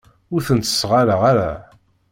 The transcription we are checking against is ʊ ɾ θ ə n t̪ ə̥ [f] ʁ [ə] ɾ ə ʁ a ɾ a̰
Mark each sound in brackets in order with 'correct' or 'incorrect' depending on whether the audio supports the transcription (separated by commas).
incorrect, incorrect